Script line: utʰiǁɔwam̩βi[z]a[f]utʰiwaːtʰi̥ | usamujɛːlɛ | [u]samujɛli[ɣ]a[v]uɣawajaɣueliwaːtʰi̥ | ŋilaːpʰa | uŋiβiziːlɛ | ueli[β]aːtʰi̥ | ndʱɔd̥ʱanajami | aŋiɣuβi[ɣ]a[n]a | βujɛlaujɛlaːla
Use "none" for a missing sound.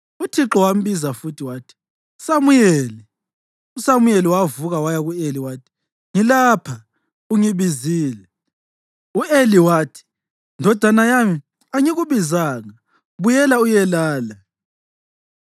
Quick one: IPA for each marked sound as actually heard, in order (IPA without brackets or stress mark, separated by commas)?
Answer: z, f, u, w, v, w, z, ŋ